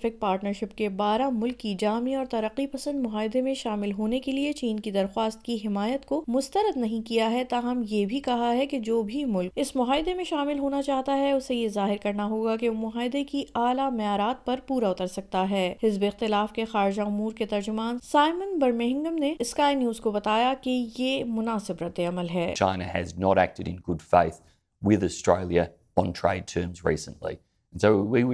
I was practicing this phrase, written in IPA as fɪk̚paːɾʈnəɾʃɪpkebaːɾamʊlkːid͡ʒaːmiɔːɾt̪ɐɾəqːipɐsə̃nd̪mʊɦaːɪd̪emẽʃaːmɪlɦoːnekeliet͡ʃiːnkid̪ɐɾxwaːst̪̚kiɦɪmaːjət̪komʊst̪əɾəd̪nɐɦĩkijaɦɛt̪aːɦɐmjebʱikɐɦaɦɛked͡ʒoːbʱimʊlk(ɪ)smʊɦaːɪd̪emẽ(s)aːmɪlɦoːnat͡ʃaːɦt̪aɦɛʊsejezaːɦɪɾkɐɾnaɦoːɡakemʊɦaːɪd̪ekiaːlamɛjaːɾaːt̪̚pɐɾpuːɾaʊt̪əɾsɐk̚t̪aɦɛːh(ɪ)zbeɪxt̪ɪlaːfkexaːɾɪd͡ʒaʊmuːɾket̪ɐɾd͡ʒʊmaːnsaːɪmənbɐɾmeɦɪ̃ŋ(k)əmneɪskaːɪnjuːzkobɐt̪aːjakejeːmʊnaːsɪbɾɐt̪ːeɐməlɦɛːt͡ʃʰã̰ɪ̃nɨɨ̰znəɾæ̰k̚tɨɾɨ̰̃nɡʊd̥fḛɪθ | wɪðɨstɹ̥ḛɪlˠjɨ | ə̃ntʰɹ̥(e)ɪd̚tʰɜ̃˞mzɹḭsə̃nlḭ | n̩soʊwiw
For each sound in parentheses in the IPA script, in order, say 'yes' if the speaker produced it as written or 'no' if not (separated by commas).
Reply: yes, no, yes, no, yes